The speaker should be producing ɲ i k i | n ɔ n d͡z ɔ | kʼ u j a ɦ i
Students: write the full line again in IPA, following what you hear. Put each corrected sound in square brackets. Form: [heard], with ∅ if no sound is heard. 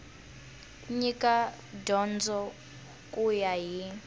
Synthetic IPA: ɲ i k [a] | [d] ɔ n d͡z ɔ | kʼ u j a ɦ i